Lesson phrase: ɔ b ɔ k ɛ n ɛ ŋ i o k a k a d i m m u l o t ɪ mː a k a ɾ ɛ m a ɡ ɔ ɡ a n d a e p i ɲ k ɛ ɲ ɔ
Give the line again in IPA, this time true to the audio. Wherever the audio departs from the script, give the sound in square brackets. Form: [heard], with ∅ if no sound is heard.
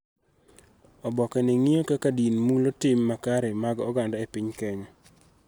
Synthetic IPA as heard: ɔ b ɔ k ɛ n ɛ ŋ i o k a k a d i [n] m u l o t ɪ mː a k a ɾ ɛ m a ɡ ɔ ɡ a n d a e p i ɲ k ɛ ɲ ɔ